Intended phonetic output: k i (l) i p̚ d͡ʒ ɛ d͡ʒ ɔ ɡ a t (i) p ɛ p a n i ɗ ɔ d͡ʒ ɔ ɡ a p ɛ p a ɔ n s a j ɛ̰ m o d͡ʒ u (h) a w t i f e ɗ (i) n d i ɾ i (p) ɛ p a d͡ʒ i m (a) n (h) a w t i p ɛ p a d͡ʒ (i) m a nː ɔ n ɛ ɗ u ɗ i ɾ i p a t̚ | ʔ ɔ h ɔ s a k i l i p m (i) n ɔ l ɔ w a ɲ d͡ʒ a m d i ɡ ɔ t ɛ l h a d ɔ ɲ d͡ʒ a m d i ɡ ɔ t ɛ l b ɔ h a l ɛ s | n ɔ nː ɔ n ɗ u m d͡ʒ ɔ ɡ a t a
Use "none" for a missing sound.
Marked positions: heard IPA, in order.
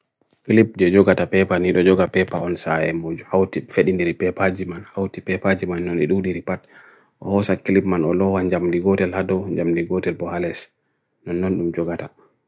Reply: l, a, h, i, p, a, h, i, a

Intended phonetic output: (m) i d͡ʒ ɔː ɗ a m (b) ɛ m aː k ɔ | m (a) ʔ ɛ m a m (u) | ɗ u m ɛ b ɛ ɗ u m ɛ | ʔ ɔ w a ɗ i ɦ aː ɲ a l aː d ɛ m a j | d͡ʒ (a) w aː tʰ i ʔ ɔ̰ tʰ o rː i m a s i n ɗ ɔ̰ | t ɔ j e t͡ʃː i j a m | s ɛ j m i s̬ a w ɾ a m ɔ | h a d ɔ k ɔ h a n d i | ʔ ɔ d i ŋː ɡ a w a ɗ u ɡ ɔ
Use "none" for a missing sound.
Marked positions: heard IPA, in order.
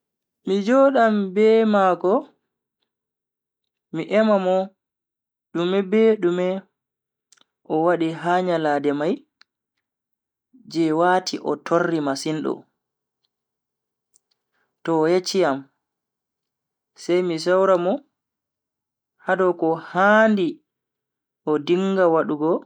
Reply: m, b, i, ɔ, ɛ

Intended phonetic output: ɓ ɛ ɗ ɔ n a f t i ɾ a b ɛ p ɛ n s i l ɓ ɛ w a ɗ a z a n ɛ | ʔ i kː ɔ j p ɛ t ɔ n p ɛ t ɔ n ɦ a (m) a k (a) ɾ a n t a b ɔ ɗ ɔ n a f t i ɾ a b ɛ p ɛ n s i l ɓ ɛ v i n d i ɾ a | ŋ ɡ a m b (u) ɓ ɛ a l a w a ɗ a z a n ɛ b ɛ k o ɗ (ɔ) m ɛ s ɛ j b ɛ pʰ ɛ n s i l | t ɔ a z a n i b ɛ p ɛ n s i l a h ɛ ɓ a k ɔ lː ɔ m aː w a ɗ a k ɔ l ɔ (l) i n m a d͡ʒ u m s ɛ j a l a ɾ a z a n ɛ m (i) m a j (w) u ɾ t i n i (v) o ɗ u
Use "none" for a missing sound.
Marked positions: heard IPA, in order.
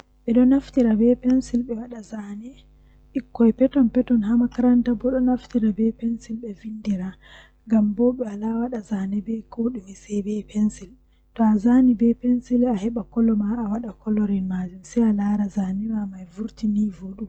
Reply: m, a, ɔ, u, ɾ, a, v, v

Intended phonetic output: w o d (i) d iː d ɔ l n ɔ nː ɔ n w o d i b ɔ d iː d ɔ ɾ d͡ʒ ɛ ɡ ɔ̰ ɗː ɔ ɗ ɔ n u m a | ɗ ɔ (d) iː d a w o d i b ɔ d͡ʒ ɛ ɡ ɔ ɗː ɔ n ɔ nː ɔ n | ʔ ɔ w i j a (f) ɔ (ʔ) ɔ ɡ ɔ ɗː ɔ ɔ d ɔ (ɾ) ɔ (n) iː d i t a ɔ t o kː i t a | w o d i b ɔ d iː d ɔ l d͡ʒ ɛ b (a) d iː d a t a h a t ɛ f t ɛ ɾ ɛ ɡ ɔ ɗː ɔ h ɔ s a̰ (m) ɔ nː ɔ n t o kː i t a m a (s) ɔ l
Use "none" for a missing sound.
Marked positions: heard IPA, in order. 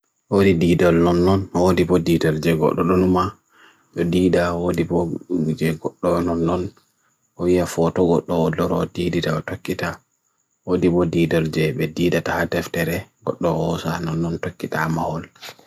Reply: i, d, f, t, ɾ, d, ɛ, n, h

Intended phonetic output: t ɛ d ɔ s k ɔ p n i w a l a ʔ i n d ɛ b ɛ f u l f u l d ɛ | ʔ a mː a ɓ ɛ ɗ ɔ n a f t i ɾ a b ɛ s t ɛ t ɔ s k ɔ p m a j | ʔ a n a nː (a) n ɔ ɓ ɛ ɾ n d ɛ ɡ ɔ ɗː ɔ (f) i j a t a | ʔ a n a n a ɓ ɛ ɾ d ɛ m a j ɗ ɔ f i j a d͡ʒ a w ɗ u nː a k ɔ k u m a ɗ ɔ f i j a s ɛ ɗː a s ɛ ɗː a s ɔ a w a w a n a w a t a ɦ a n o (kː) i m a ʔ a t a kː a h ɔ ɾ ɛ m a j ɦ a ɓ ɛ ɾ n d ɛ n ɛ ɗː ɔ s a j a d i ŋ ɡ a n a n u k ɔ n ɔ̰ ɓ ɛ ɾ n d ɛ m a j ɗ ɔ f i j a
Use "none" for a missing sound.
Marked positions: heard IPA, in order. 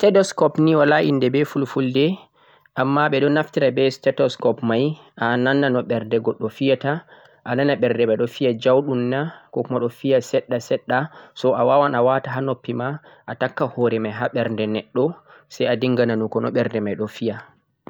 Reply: a, f, pː

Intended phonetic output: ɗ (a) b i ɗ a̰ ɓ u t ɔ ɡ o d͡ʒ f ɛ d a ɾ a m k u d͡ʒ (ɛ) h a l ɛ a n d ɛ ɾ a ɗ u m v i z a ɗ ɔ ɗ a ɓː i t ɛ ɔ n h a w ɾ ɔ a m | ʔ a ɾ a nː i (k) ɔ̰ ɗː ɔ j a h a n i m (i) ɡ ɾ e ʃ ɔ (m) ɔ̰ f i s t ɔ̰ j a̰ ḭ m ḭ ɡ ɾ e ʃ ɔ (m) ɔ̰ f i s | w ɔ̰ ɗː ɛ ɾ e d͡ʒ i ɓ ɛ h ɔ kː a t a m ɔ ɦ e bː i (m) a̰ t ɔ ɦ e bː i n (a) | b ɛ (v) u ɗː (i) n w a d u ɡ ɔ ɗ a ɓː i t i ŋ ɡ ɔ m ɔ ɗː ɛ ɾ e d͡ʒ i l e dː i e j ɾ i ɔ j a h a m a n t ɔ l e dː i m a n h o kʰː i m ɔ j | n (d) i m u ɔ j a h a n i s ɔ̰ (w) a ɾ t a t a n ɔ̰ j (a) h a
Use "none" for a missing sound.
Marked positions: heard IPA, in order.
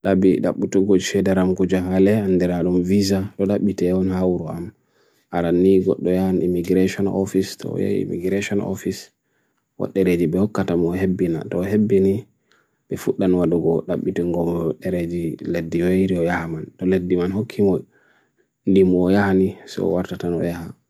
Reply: a, a, ɡ, i, n, n, n, i, f, a, d, w, a

